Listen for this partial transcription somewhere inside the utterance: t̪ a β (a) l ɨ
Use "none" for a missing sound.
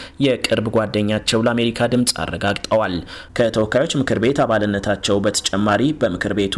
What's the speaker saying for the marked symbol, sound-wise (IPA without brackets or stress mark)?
a